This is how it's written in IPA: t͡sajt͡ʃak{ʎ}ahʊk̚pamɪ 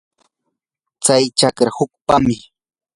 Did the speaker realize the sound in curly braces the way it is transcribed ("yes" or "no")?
no